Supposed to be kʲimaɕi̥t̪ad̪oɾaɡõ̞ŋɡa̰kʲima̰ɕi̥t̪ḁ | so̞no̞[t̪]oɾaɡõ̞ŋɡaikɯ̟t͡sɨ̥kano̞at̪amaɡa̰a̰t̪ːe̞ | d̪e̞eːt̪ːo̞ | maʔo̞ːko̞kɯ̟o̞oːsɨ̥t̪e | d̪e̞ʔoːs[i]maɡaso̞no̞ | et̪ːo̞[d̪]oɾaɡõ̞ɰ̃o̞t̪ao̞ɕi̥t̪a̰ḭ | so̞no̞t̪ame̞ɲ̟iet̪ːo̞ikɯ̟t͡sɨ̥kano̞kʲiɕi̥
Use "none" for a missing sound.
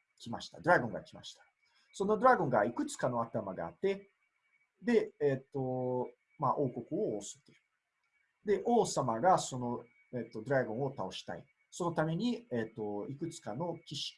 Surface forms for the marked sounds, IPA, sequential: d̪, a, d̪

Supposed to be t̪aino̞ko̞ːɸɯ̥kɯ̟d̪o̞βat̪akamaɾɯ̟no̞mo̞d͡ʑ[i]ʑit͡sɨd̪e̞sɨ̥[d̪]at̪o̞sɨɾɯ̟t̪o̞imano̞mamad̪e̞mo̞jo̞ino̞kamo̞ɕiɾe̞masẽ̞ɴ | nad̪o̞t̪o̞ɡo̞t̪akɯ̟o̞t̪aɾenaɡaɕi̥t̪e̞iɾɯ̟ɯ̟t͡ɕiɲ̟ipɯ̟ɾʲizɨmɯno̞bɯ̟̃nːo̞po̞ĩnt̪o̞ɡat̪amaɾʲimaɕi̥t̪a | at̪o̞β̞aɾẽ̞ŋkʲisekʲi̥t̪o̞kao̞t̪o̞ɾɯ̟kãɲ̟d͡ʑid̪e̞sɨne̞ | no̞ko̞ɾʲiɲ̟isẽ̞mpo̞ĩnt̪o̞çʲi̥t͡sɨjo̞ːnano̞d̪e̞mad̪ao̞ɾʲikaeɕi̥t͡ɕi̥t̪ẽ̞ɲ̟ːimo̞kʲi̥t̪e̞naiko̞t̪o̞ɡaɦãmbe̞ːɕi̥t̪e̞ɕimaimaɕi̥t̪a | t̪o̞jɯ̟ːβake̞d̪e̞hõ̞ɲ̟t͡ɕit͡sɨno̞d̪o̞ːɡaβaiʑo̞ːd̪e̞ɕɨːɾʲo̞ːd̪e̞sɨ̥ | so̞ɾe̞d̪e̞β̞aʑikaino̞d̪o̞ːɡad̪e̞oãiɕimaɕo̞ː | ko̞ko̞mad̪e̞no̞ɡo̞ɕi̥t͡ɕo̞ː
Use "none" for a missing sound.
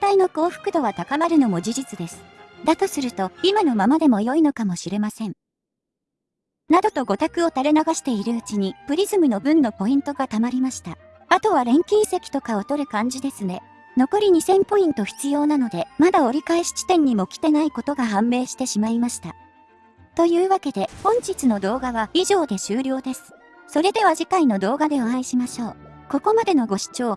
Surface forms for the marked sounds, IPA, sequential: i, d̪

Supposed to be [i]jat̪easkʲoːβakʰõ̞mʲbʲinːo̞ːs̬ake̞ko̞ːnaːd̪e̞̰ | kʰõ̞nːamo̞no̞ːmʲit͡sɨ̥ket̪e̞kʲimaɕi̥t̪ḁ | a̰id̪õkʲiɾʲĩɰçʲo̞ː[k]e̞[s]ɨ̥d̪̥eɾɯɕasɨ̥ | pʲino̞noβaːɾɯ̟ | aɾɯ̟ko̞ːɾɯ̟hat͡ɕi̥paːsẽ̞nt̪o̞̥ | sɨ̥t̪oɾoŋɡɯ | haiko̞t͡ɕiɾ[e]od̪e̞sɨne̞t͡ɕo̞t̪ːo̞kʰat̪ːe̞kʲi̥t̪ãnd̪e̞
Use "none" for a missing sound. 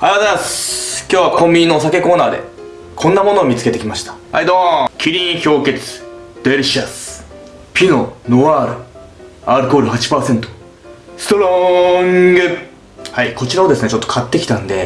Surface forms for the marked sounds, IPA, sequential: a, k, t͡s, a

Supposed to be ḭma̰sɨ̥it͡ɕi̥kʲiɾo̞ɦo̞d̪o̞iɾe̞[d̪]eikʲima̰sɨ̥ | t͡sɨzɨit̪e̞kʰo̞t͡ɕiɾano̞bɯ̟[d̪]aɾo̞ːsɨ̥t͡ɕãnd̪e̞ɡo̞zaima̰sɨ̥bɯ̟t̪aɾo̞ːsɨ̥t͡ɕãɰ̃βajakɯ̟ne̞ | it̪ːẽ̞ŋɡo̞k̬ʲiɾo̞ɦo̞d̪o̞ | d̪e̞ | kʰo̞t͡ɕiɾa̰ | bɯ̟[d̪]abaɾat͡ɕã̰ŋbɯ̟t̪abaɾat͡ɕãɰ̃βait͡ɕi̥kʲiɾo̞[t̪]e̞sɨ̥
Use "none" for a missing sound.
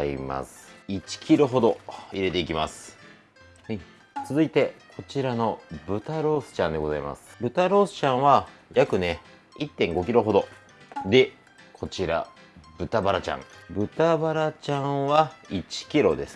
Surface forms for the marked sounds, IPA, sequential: t̪, t̪, t̪, d̪

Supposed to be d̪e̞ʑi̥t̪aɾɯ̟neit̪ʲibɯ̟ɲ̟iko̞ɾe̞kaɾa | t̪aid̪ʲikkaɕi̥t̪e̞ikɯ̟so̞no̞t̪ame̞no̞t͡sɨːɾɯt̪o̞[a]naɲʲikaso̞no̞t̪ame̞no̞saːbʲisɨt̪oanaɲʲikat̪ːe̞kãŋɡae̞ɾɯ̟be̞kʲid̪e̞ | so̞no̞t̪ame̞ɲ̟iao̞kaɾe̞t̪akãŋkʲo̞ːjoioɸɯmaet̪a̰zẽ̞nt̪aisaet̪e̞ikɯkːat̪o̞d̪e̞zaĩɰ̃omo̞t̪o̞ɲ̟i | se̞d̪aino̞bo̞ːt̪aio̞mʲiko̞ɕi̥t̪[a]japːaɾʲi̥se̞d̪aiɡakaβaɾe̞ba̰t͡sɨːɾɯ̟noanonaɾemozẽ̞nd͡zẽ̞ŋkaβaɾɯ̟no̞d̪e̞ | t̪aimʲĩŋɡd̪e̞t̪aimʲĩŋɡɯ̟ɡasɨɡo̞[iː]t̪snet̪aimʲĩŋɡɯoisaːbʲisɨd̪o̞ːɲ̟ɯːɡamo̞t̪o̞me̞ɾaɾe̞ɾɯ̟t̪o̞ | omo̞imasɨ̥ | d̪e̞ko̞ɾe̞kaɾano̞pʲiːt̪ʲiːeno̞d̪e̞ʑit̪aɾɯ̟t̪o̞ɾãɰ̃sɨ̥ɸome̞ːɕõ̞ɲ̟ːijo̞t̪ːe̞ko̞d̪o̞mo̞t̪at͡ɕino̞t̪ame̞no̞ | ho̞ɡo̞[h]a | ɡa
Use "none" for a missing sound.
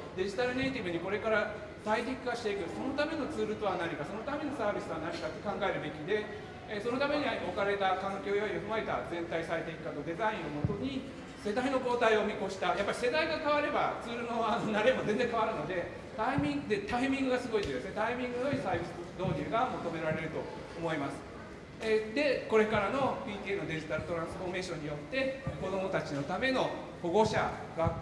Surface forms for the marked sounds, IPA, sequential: a, a, i, ɕ

